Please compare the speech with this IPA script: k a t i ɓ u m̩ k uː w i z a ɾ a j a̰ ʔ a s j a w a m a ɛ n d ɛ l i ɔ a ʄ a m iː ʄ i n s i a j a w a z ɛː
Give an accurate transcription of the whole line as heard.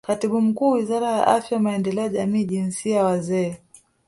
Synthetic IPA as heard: k a t i ɓ u m̩ k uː w i z a ɾ a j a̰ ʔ a f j a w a m a ɛ n d ɛ l ɛ ɔ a ʄ a m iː ʄ i n s i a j a w a z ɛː